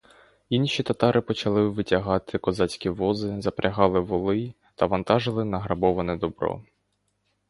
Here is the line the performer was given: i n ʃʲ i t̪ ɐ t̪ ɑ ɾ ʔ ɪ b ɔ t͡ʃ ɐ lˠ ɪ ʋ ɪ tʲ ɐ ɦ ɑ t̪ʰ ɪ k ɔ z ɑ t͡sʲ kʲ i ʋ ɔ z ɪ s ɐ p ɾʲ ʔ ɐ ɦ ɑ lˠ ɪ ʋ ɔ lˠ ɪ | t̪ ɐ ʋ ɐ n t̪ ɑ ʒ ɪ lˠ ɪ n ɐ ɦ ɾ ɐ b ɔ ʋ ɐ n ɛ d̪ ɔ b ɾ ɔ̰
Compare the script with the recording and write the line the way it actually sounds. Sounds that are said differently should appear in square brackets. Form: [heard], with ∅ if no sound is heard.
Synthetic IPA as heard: i n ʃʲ i t̪ ɐ t̪ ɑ ɾ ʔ ɪ [p] ɔ t͡ʃ ɐ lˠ ɪ ʋ ɪ tʲ ɐ ɦ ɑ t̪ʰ ɪ k ɔ z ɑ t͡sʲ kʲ i ʋ ɔ z ɪ [z] ɐ p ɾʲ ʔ ɐ ɦ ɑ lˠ ɪ ʋ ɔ lˠ ɪ | t̪ ɐ ʋ ɐ n t̪ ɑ ʒ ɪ lˠ ɪ n ɐ ɦ ɾ ɐ b ɔ ʋ ɐ n ɛ d̪ ɔ b ɾ ɔ̰

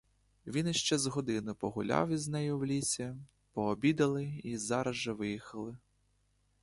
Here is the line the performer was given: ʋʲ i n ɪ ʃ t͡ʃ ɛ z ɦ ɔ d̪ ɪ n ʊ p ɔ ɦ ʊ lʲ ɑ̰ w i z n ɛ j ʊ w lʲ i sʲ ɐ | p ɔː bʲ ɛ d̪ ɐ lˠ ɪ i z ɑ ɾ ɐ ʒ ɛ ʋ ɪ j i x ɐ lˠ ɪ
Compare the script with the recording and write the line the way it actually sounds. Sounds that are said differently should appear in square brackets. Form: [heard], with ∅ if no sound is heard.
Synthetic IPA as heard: ʋʲ i n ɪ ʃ t͡ʃ ɛ z ɦ ɔ d̪ ɪ n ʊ p ɔ ɦ ʊ lʲ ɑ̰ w i z n ɛ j ʊ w lʲ i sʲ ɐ | p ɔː bʲ [i] d̪ ɐ lˠ ɪ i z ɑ ɾ ɐ ʒ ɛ ʋ ɪ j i x ɐ lˠ ɪ

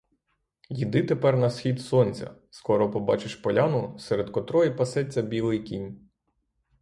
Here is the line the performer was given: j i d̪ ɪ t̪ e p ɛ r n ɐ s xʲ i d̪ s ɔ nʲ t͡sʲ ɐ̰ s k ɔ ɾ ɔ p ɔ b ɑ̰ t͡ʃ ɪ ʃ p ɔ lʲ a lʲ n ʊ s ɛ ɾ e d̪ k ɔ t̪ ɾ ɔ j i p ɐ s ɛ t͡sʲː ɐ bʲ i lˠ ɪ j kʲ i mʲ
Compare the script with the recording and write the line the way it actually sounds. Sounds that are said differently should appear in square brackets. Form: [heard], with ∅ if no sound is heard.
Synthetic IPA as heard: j i d̪ ɪ t̪ e p ɛ r n ɐ s xʲ i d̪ s ɔ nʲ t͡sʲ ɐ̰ s k ɔ ɾ ɔ p ɔ b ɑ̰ t͡ʃ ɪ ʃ p ɔ lʲ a [∅] n ʊ s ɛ ɾ e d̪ k ɔ t̪ ɾ ɔ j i p ɐ s ɛ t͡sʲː ɐ bʲ i lˠ ɪ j kʲ i [nʲ]

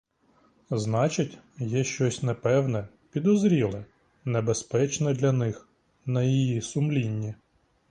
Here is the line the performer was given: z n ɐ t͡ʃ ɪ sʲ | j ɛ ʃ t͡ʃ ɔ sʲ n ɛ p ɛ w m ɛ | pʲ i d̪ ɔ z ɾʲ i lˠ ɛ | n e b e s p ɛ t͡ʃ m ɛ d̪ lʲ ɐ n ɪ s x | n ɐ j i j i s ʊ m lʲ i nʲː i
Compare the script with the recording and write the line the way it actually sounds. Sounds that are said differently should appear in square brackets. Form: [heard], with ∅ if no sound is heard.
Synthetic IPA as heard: z n [ɑ] t͡ʃ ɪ [tʲ] | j ɛ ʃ t͡ʃ ɔ sʲ n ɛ p ɛ w [n] ɛ | pʲ i d̪ ɔ z ɾʲ i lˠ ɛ | n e b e s p ɛ t͡ʃ [n] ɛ d̪ lʲ ɐ n ɪ [∅] x | n ɐ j i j i s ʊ m lʲ i nʲː i

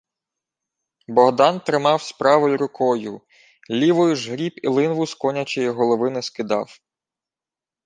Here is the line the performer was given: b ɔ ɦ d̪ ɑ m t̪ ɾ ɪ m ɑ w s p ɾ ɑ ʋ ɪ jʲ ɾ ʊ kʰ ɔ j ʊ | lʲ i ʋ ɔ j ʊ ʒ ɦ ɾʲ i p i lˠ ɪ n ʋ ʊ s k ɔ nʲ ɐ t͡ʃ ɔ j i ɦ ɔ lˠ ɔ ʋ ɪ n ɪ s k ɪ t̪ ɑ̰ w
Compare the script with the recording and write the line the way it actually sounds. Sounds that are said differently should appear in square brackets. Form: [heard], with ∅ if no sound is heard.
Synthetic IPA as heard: b ɔ ɦ d̪ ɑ [n] t̪ ɾ ɪ m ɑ w s p ɾ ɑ ʋ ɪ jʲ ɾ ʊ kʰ ɔ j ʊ | lʲ i ʋ ɔ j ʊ ʒ ɦ ɾʲ i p i lˠ ɪ n ʋ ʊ s k ɔ nʲ ɐ t͡ʃ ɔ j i ɦ ɔ lˠ ɔ ʋ ɪ n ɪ s k ɪ [d̪] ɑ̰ w

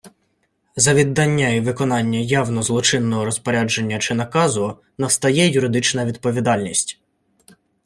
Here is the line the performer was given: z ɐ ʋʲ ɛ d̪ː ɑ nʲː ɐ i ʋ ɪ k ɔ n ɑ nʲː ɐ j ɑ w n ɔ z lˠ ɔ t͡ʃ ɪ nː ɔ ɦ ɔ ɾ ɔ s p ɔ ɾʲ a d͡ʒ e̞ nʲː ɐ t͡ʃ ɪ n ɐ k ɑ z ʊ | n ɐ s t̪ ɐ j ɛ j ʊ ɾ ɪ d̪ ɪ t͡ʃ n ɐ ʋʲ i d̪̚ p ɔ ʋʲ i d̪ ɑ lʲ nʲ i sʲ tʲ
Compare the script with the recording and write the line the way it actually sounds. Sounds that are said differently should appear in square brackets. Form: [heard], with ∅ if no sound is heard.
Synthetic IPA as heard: z ɐ ʋʲ [i] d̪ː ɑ nʲː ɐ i ʋ ɪ k ɔ n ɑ nʲː ɐ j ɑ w n ɔ z lˠ ɔ t͡ʃ ɪ nː ɔ ɦ ɔ ɾ ɔ s p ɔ ɾʲ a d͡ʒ e̞ nʲː ɐ t͡ʃ ɪ n ɐ k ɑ z ʊ | n ɐ s t̪ ɐ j ɛ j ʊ ɾ ɪ d̪ ɪ t͡ʃ n ɐ ʋʲ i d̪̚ p ɔ ʋʲ i d̪ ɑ lʲ nʲ i sʲ tʲ

